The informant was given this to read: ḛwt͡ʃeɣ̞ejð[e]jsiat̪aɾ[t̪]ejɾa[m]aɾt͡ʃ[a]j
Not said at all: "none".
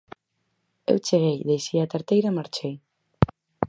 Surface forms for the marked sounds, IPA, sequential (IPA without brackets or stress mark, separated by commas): e, t̪, m, e